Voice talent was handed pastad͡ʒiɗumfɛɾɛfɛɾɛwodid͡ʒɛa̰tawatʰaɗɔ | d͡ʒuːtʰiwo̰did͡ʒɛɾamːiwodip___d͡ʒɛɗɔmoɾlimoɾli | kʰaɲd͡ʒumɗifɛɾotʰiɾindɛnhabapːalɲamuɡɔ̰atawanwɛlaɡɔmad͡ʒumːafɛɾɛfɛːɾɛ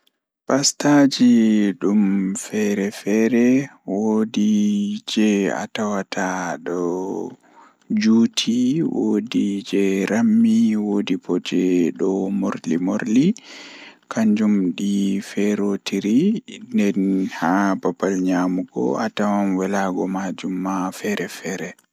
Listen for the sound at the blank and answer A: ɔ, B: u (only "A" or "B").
A